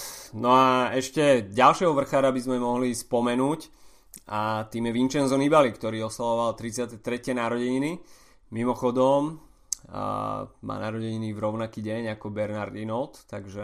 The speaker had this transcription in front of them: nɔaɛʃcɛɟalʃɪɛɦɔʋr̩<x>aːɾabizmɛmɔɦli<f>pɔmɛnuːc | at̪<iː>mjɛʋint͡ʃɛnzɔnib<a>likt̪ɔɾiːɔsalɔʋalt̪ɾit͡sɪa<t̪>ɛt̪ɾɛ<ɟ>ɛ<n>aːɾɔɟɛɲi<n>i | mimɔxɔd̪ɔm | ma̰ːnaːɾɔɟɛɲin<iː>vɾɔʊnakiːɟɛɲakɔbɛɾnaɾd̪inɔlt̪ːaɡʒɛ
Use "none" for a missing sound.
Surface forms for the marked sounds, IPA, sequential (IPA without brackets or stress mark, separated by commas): x, s, iː, a, t̪, c, n, n, i